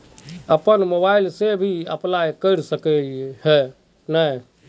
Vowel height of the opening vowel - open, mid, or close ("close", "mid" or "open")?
mid